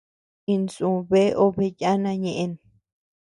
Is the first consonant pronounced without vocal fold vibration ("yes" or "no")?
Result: no